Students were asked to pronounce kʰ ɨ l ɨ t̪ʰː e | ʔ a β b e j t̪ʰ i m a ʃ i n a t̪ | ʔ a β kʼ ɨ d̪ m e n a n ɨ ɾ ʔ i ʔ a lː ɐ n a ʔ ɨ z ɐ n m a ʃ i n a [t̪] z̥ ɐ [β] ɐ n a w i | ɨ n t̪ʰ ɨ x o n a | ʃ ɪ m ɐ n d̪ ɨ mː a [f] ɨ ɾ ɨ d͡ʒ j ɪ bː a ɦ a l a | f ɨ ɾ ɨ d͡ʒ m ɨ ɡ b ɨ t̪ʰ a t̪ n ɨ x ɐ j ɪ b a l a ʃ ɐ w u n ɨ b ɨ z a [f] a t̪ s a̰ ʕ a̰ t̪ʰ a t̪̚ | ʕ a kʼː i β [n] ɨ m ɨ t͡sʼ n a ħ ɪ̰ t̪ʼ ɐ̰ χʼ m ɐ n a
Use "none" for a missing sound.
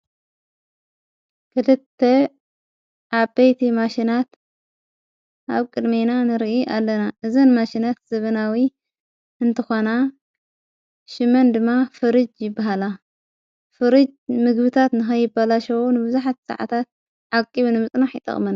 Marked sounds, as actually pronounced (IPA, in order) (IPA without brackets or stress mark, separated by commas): t̪, β, f, ħ, n